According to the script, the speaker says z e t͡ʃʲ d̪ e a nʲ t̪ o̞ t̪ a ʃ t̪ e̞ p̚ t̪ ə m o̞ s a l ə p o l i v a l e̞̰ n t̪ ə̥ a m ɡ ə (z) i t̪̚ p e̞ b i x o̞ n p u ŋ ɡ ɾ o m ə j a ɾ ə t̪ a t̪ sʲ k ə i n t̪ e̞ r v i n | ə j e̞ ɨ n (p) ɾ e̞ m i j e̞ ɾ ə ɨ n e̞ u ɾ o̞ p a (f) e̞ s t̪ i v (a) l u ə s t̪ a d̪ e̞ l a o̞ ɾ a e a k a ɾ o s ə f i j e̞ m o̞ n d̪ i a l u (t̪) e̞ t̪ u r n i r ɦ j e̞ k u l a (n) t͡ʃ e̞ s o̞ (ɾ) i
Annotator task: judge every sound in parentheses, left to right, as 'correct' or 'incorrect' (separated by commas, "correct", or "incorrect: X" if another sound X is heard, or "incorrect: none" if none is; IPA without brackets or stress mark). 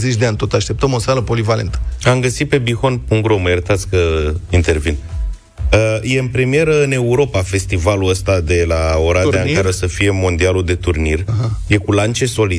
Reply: incorrect: s, correct, correct, correct, incorrect: d̪, correct, incorrect: l